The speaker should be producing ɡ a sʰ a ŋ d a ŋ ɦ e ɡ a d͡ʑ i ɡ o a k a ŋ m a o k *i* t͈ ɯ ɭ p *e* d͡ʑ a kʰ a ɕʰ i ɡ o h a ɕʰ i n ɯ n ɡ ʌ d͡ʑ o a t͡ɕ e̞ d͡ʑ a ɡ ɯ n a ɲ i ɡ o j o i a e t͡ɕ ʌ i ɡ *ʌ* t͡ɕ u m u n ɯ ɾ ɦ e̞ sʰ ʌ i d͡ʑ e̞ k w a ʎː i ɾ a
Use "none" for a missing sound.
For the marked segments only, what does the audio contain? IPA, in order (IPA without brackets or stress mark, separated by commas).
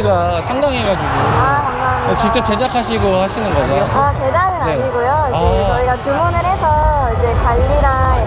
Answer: i, e, a